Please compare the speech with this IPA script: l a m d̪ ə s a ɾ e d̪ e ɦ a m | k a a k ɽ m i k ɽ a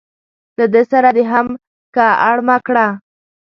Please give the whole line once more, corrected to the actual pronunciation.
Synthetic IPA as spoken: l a d̪ ə s a ɾ a d̪ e ɦ a m | k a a ɽ m a k ɽ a